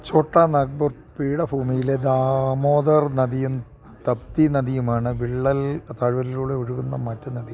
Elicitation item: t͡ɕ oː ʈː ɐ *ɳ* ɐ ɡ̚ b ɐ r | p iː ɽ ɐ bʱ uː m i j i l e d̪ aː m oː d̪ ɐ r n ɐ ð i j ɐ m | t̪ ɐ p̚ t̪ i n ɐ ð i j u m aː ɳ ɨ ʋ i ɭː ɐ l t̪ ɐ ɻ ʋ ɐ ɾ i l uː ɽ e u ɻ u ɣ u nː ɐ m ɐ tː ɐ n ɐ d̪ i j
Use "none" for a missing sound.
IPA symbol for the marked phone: n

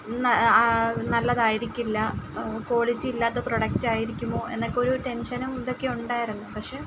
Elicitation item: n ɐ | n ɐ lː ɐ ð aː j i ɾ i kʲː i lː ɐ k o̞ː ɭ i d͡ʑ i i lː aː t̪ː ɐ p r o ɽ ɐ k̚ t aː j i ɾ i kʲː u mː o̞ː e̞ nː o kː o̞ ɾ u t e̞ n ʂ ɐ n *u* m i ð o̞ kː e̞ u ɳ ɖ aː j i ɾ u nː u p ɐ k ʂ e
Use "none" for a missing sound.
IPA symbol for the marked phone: u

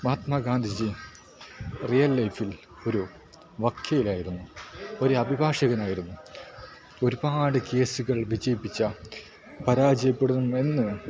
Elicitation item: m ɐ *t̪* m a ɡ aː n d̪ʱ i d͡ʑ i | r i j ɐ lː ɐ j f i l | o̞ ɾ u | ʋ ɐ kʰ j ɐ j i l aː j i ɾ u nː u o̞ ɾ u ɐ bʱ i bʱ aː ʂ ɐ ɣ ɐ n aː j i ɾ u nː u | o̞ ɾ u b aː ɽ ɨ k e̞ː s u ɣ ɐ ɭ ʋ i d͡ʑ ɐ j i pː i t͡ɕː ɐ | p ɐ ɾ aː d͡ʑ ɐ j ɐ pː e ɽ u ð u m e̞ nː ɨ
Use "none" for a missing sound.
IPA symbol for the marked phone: t̪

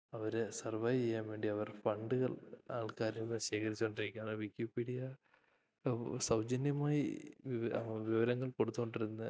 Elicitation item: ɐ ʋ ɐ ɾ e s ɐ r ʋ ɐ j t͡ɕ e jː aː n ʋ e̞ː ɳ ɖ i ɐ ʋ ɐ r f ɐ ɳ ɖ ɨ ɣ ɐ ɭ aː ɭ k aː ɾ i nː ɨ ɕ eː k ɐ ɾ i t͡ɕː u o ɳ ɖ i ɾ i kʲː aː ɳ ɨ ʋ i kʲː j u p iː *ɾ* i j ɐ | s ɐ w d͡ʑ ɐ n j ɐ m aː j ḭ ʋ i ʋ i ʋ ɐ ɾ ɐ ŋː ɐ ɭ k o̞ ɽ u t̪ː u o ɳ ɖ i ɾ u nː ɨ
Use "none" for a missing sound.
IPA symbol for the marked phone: ɽ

